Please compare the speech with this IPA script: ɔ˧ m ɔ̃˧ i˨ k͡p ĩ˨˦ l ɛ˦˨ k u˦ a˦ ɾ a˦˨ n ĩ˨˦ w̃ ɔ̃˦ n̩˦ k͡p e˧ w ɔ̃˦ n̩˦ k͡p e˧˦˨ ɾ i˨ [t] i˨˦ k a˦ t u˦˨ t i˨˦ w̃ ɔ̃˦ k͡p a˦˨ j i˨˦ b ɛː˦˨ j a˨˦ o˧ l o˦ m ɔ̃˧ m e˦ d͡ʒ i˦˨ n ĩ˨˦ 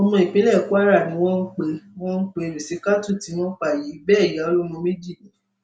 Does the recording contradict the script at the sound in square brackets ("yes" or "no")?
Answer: yes